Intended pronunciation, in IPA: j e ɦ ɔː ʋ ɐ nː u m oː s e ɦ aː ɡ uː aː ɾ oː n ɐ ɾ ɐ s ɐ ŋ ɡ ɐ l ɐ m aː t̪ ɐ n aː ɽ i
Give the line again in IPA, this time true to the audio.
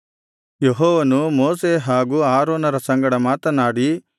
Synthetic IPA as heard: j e ɦ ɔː ʋ ɐ n u m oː s e ɦ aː ɡ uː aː ɾ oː n ɐ ɾ ɐ s ɐ ŋ ɡ ɐ ɽ ɐ m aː t̪ ɐ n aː ɽ i